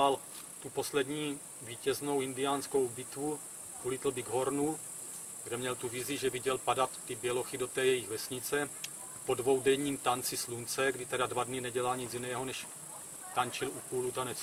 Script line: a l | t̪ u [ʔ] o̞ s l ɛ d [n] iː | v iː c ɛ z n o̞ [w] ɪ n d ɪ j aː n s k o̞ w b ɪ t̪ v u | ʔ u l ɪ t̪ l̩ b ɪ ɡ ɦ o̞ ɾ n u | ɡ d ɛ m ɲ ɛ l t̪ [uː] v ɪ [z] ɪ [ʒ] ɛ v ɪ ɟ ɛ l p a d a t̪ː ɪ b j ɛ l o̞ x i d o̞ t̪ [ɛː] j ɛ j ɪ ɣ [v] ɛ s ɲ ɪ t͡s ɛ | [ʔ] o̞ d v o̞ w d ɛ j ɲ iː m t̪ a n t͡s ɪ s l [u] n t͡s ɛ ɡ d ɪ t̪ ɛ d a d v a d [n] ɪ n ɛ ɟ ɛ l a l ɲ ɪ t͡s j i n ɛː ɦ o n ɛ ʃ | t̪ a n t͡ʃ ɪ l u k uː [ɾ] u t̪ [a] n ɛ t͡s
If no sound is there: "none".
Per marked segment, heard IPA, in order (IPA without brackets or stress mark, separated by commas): p, ɲ, w, u, z, ʒ, ɛː, v, p, u, n, l, a